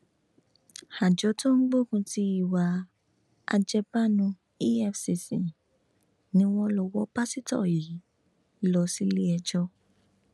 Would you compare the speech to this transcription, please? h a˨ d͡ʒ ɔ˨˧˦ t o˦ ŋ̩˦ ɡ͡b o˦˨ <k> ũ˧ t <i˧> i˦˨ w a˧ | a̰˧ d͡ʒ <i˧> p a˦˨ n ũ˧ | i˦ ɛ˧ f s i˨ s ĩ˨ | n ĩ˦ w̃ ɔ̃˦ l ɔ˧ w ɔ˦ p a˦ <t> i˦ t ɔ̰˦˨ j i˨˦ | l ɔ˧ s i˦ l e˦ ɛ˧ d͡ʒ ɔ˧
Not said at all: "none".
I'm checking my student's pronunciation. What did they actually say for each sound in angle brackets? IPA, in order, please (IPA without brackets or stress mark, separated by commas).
k, i˧, ɛ˧, s